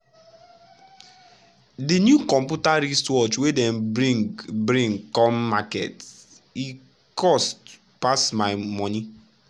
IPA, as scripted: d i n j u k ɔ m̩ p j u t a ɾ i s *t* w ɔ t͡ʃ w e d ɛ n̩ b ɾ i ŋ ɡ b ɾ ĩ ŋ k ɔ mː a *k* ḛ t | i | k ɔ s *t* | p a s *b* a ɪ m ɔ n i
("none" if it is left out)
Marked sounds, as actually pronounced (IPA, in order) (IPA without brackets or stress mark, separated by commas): t, k, t, m